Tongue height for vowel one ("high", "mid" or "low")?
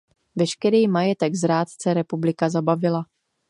mid